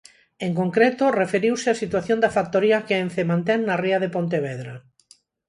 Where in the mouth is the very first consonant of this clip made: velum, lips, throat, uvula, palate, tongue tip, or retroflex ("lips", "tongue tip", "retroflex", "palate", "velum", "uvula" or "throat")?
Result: velum